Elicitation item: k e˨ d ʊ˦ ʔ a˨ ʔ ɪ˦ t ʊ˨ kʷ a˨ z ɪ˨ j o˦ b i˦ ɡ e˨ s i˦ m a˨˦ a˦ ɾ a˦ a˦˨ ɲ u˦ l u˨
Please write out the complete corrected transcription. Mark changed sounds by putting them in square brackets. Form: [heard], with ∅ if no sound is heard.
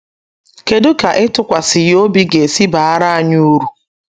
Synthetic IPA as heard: k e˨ d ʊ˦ [k] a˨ ʔ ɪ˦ t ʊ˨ kʷ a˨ [s] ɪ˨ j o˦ b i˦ ɡ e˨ s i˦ [b] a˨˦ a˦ ɾ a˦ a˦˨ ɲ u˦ [ɾ] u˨

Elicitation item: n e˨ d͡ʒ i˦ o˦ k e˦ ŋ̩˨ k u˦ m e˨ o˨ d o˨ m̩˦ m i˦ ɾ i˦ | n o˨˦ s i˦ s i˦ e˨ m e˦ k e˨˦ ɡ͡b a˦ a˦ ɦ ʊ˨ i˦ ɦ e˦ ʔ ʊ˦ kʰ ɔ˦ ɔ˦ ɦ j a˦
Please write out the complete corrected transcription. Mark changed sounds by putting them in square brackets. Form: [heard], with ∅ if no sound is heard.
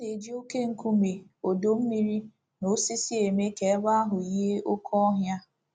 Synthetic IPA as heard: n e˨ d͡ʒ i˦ o˦ k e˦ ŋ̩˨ k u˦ m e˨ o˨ d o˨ m̩˦ m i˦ ɾ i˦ | n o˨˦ s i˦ s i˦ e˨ m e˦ k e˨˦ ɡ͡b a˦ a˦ ɦ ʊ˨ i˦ ɦ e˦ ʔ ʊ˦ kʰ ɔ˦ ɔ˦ ɦ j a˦

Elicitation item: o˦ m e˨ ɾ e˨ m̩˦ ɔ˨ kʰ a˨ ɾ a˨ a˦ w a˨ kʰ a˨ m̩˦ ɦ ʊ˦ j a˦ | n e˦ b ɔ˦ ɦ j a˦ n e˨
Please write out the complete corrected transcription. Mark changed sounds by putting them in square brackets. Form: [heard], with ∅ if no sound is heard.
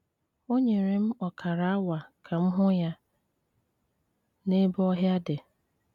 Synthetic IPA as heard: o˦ [ɲ] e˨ ɾ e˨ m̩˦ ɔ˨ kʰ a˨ ɾ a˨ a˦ w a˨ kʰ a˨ m̩˦ ɦ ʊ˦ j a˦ | n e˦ b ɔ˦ ɦ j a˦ [d] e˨

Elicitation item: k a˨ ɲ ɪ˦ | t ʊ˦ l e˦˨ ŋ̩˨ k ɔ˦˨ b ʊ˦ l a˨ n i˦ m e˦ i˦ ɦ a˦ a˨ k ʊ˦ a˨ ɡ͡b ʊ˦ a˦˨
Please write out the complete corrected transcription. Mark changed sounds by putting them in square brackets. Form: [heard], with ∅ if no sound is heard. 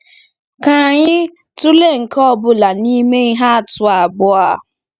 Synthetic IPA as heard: k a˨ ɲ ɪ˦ | t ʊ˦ l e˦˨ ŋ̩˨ k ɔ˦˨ b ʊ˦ l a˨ n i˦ m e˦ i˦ ɦ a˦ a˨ [t] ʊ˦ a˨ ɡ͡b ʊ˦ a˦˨

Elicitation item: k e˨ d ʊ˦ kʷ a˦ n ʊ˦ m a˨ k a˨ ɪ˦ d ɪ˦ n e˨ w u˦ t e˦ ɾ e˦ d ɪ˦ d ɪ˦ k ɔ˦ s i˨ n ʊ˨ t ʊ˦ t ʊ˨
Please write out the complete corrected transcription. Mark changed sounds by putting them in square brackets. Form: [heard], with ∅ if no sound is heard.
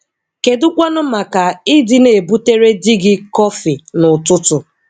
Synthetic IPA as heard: k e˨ d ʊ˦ kʷ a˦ n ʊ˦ m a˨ k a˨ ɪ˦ d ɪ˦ n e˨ [b] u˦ t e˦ ɾ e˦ d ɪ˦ [ɡ] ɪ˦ k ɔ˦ [f] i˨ n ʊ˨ t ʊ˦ t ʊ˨

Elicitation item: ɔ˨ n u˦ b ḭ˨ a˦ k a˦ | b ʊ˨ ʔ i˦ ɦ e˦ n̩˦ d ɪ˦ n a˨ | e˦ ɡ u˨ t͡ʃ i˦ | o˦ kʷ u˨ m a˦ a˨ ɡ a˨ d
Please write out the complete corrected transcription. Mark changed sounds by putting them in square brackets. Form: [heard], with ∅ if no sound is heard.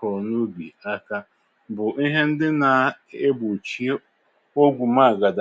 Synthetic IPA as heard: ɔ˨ n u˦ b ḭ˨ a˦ k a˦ | b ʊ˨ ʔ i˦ ɦ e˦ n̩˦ d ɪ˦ n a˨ | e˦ [b] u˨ t͡ʃ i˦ | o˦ [ɡʷ] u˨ m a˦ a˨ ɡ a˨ d

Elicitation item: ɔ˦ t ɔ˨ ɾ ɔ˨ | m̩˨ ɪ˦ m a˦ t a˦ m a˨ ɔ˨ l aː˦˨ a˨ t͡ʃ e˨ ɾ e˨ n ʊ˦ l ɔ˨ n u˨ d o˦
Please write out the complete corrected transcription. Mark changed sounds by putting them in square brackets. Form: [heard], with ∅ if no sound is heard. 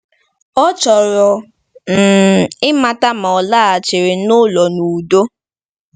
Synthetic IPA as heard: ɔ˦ [t͡ʃ] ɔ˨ ɾ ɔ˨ | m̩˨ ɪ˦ m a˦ t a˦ m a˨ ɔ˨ l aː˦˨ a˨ t͡ʃ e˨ ɾ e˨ n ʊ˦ l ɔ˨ n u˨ d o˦

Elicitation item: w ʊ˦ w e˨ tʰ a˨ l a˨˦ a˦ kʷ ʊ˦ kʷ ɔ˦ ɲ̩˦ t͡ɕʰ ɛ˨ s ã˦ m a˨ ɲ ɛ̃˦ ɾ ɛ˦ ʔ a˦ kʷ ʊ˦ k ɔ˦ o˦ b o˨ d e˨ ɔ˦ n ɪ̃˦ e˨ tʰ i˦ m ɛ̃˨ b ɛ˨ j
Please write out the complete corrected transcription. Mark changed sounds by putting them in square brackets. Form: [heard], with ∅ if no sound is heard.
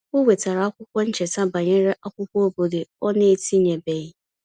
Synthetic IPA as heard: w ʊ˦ w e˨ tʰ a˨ [ɾ] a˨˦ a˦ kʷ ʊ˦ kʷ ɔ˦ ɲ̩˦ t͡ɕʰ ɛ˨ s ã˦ [b] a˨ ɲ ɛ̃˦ ɾ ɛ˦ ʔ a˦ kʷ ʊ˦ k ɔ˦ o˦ b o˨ d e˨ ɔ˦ n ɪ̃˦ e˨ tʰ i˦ [ɲ] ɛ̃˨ b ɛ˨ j

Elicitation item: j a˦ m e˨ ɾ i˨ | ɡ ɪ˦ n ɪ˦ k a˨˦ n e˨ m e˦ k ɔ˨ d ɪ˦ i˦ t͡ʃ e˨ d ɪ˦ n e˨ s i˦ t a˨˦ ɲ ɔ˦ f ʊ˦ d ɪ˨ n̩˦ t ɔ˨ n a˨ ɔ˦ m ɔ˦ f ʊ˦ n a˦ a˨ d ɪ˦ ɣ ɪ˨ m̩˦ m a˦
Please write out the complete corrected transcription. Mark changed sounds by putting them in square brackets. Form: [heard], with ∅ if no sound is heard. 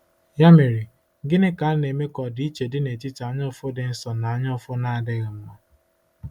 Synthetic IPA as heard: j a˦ m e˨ ɾ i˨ | ɡ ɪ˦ n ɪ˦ k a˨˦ n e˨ m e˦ k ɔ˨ d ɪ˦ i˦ t͡ʃ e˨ d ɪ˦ n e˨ [t] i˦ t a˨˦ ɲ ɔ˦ f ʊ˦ d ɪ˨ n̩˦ [s] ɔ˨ n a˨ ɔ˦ [ɲ] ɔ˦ f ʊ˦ n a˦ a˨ d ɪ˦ ɣ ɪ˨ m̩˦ m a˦

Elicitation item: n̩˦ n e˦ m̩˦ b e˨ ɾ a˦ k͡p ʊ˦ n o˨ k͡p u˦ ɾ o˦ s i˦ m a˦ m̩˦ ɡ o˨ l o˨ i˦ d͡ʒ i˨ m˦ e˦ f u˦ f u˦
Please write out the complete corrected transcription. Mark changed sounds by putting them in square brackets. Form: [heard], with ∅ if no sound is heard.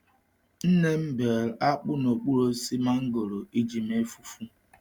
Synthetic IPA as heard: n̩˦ n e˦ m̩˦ b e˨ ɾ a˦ k͡p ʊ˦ n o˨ k͡p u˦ ɾ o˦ s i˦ m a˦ [ŋ̩˦] ɡ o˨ [ɾ] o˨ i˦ d͡ʒ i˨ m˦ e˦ f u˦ f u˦

